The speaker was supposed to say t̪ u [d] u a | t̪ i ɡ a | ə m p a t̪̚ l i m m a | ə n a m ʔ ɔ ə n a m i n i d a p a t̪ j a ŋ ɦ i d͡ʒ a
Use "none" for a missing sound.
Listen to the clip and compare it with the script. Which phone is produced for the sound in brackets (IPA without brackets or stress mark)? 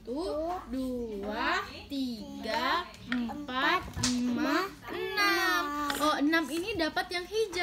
d